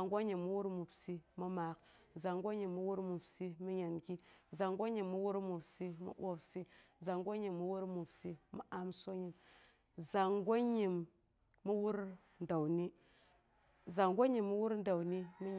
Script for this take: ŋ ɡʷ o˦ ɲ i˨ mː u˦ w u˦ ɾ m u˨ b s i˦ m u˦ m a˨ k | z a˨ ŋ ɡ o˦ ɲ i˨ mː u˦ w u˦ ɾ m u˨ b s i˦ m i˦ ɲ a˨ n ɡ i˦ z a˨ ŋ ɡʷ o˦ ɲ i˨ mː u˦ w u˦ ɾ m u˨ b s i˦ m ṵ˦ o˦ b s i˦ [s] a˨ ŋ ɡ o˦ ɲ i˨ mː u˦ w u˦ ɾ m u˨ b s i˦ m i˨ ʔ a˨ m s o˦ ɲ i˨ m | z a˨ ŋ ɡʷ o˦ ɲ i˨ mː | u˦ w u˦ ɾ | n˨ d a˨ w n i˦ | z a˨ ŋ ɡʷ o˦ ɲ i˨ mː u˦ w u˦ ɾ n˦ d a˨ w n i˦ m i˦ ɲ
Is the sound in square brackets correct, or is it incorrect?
incorrect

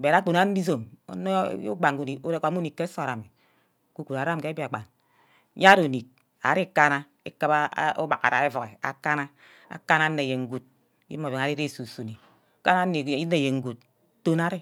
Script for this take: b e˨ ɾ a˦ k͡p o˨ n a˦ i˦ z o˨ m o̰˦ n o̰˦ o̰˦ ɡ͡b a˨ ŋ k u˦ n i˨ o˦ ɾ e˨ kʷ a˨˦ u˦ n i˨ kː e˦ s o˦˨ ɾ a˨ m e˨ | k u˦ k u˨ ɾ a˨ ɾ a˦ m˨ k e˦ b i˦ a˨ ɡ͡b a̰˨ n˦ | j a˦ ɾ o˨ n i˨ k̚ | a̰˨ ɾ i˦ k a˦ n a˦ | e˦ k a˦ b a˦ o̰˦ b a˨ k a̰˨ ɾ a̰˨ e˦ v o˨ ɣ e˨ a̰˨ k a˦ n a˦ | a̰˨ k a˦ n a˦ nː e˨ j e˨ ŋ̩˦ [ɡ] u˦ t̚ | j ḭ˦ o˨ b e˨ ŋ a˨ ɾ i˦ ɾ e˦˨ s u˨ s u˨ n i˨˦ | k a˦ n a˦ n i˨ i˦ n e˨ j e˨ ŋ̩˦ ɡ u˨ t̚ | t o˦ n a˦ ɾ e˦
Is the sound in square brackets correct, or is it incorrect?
correct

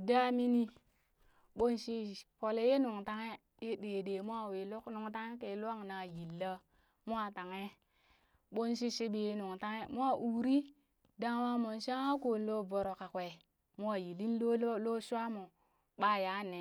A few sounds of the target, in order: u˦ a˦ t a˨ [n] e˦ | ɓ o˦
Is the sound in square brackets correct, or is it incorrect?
incorrect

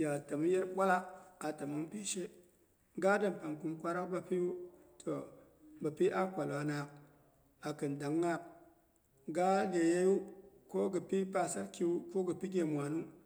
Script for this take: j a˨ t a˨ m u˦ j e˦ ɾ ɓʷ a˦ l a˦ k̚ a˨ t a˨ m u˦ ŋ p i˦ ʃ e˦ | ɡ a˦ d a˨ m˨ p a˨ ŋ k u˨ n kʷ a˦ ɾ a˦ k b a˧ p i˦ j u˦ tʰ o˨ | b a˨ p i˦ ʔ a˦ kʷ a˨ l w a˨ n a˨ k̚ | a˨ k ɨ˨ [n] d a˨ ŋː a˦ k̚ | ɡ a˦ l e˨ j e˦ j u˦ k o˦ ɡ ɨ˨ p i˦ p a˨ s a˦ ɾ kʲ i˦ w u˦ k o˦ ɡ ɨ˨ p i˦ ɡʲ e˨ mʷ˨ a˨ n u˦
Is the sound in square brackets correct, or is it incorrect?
correct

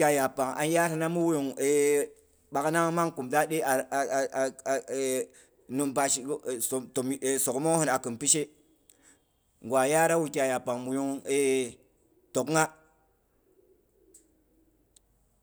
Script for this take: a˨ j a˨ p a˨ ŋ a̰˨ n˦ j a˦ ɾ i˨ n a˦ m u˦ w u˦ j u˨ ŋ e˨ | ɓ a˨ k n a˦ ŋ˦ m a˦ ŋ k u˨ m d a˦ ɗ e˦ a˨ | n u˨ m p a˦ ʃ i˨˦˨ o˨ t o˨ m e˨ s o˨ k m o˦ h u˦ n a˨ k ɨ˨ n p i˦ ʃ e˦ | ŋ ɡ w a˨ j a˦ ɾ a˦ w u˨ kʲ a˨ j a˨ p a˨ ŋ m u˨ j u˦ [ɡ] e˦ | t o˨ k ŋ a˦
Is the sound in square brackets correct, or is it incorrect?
incorrect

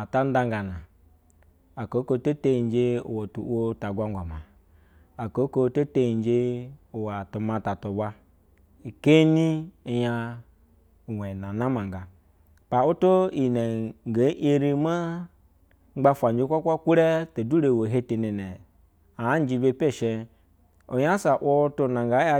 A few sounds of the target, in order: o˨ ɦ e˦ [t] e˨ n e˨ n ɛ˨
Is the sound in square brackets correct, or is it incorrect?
correct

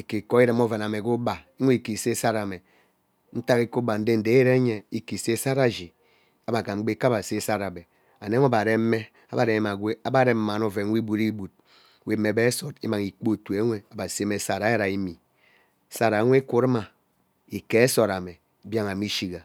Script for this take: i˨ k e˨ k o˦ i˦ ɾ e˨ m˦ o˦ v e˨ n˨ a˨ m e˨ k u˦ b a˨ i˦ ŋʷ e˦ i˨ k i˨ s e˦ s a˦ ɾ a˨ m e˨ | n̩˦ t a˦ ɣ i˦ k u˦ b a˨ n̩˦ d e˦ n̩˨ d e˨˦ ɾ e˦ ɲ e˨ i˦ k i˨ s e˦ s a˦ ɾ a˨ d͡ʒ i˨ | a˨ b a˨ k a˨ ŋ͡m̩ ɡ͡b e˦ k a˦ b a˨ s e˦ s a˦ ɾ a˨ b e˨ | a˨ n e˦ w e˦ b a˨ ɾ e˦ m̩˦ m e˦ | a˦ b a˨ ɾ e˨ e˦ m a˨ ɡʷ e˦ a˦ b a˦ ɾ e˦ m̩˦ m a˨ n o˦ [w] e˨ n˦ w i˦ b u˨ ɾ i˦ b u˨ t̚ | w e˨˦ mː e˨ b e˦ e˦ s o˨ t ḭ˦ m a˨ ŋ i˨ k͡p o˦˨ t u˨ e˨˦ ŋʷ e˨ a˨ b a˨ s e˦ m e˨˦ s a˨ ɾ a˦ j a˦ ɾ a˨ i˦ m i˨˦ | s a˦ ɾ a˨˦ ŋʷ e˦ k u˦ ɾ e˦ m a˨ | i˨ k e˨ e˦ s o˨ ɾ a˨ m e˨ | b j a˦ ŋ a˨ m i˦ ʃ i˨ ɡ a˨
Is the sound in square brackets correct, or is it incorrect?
incorrect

